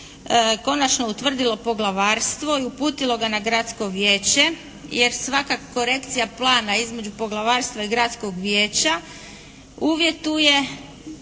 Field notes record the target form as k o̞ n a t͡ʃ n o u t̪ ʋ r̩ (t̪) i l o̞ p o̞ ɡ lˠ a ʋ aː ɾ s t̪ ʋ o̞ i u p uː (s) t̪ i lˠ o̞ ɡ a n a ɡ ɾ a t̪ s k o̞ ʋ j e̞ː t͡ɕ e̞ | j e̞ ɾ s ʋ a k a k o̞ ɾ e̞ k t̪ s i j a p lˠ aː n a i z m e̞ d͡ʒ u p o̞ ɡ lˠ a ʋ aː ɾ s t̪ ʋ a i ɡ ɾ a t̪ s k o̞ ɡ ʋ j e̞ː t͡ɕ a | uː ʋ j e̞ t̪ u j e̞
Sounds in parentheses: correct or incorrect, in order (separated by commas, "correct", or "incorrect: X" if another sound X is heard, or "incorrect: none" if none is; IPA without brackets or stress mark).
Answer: incorrect: d̪, incorrect: none